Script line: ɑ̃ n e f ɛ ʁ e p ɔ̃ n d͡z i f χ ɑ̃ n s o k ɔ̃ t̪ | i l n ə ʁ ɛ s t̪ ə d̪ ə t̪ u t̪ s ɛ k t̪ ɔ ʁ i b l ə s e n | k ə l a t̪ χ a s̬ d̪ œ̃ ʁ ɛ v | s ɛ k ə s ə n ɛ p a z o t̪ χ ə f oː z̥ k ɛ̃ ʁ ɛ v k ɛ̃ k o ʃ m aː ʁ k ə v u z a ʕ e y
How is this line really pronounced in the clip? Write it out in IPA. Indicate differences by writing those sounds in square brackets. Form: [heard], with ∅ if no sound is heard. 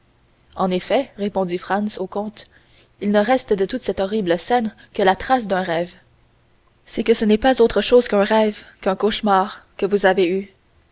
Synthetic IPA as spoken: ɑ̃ n e f ɛ ʁ e p ɔ̃ [d] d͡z i f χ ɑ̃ n s o k ɔ̃ t̪ | i l n ə ʁ ɛ s t̪ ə d̪ ə t̪ u t̪ s ɛ [∅] t̪ ɔ ʁ i b l ə s [ɛ] n | k ə l a t̪ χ a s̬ d̪ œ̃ ʁ ɛ v | s ɛ k ə s ə n ɛ p a z o t̪ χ ə [ʃ] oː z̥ k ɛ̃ ʁ ɛ v k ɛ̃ k o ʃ m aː ʁ k ə v u z a [v] e y